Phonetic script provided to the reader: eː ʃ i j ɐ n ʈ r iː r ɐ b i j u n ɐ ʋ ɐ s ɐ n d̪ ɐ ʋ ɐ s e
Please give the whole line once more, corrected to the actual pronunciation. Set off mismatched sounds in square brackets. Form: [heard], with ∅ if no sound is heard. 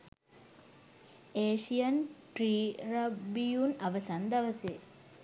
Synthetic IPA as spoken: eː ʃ i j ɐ n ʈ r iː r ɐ b i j u n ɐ ʋ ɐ s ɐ n d̪ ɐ ʋ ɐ s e